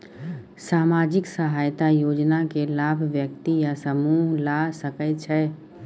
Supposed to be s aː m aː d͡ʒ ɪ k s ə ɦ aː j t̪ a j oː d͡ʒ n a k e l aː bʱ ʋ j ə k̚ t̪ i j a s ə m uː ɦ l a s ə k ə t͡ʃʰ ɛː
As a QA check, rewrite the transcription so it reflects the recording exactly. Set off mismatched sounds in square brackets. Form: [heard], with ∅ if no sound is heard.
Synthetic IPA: s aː m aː d͡ʒ ɪ k s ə ɦ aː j t̪ a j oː d͡ʒ n a k e l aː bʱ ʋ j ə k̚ t̪ i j a s ə m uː ɦ l a s ə k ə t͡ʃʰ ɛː